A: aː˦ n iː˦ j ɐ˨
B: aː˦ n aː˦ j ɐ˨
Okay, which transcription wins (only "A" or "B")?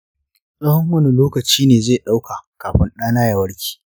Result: B